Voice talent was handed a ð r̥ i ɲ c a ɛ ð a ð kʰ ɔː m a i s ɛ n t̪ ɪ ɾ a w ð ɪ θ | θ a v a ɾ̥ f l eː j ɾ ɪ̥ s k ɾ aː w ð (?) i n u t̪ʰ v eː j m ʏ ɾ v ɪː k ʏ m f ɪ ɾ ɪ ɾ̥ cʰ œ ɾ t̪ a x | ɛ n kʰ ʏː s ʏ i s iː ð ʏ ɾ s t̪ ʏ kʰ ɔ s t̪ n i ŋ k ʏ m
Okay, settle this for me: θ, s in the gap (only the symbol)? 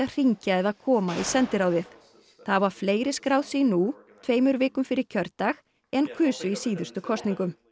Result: s